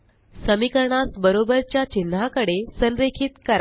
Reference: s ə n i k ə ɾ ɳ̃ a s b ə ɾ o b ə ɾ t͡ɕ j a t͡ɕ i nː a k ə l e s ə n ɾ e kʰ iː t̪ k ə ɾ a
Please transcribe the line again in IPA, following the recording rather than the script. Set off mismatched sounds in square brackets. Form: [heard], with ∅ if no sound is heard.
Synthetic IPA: s ə [m] i k ə ɾ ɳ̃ a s b ə ɾ o b ə ɾ t͡ɕ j a t͡ɕ i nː a k ə [ɽ] e s ə n ɾ e kʰ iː t̪ k ə ɾ a